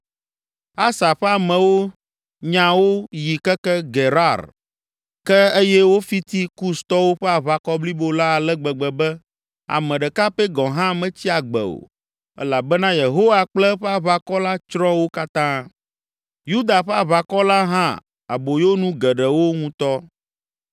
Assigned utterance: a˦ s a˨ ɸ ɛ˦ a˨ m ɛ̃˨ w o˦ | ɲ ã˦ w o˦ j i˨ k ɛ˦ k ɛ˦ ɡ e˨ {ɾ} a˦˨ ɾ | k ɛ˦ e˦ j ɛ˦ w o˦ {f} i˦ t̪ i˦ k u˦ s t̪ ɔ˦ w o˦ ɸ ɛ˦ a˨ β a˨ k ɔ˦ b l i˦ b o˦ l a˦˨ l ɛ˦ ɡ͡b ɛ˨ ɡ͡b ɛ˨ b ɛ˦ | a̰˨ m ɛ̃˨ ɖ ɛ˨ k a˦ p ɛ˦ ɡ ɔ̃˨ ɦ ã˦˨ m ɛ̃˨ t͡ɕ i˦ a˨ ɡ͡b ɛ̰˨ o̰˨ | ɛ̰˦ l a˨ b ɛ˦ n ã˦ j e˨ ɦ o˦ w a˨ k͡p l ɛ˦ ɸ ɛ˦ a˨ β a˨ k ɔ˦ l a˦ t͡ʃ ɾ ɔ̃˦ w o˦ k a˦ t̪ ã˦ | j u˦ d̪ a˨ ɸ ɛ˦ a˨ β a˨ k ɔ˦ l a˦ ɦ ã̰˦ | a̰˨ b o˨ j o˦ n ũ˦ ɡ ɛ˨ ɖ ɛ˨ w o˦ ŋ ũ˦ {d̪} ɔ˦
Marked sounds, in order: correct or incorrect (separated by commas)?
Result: correct, correct, incorrect